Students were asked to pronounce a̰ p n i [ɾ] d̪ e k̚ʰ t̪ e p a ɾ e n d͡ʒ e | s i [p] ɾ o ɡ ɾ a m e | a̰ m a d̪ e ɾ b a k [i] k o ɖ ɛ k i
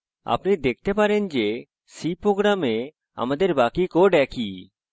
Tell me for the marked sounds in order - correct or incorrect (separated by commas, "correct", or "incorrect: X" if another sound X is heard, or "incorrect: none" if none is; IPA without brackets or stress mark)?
incorrect: none, correct, correct